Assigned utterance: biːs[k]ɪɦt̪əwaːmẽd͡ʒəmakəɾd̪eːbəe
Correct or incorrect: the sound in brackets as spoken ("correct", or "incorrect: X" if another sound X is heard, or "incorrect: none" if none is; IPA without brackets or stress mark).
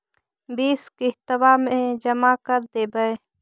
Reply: correct